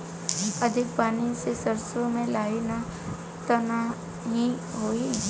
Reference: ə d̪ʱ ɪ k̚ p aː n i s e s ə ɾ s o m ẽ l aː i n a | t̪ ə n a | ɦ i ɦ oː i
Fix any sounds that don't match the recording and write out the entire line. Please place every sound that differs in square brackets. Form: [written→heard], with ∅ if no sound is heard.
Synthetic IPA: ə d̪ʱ ɪ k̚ p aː n i s e s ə ɾ s o m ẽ l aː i n a | t̪ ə n a | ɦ i ɦ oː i